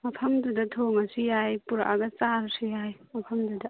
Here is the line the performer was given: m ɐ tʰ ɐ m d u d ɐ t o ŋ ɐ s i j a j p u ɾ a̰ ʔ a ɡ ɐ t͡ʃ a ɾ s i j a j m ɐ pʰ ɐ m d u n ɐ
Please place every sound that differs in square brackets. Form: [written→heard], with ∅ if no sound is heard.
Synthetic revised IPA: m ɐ [tʰ→pʰ] ɐ m d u d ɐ [t→tʰ] o ŋ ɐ s i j a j p u ɾ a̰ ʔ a ɡ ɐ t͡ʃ a ɾ s i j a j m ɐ pʰ ɐ m d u [n→d] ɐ